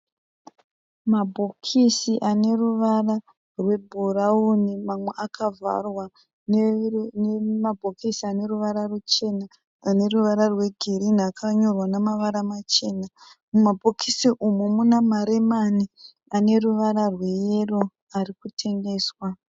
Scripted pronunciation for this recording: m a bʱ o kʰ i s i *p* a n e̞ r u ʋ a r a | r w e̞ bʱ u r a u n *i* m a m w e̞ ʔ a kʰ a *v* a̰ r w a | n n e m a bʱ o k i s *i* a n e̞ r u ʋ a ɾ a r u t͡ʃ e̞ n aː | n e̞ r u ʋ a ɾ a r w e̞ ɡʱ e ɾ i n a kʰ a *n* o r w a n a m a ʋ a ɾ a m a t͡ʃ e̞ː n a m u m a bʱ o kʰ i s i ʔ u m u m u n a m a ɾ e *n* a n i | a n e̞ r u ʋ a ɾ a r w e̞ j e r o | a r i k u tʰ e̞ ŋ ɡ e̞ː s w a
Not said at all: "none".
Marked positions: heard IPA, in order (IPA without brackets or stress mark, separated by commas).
ʔ, i, v, i, ɲ, m